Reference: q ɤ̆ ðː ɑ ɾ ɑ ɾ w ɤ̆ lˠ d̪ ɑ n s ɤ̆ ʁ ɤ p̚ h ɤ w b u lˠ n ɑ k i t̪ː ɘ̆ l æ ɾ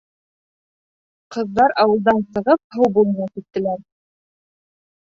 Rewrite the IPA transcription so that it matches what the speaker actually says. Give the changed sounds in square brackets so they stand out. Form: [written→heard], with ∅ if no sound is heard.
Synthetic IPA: q ɤ̆ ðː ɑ ɾ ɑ [ɾ→∅] w ɤ̆ lˠ d̪ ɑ n s ɤ̆ ʁ ɤ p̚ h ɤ w b u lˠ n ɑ k i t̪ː ɘ̆ l æ ɾ